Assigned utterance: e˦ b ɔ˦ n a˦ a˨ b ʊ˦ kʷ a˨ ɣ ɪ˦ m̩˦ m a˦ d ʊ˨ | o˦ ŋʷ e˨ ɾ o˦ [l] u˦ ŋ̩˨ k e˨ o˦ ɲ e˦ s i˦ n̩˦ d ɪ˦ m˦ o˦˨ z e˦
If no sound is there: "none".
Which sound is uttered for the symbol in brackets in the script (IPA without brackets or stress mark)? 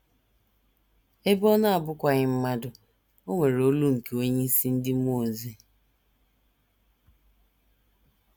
l